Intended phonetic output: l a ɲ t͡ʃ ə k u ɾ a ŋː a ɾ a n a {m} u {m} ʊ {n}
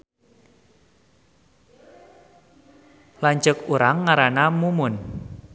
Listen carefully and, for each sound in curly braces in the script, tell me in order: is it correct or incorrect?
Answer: correct, correct, correct

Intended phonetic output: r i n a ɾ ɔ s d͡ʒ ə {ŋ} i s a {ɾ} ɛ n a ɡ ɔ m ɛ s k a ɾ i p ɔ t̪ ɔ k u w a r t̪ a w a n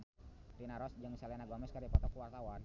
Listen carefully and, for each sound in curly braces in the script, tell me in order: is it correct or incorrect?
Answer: correct, incorrect

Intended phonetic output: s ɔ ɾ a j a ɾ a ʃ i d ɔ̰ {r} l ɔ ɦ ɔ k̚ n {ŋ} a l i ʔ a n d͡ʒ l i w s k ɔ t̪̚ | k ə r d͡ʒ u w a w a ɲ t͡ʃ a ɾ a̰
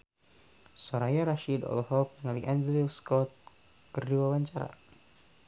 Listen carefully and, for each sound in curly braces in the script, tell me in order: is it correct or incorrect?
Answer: incorrect, correct

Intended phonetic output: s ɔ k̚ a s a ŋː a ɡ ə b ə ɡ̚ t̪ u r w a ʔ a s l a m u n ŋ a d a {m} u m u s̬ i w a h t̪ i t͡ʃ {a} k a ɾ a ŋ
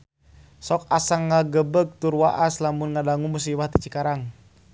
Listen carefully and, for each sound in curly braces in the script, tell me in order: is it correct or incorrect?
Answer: incorrect, incorrect

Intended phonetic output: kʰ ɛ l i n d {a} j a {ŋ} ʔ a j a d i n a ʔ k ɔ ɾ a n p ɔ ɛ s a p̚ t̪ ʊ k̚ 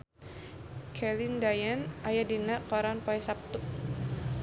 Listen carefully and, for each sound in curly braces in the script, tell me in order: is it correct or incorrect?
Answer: correct, incorrect

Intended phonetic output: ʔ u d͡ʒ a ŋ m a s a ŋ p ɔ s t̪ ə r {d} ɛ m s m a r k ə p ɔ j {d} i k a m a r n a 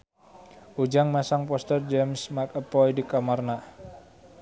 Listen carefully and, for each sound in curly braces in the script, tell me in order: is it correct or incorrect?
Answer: incorrect, correct

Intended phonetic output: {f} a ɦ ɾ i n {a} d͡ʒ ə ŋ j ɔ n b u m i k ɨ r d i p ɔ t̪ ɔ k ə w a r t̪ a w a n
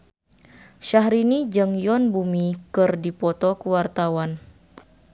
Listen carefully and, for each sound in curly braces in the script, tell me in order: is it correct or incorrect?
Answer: incorrect, incorrect

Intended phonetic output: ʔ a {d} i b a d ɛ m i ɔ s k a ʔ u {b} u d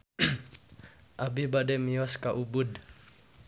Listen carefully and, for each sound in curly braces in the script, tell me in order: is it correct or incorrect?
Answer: incorrect, correct

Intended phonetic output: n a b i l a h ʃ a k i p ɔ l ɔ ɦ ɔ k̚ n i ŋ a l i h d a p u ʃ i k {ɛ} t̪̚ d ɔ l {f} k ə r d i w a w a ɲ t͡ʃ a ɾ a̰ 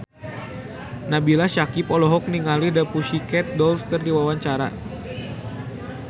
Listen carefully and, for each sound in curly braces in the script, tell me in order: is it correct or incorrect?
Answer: correct, correct

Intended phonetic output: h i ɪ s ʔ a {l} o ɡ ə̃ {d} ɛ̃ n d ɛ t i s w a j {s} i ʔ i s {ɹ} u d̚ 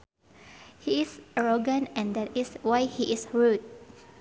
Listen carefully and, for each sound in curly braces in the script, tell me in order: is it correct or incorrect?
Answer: incorrect, incorrect, incorrect, correct

